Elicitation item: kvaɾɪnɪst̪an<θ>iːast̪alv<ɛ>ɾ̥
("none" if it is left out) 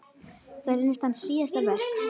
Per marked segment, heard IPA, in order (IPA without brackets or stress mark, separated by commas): s, ɛ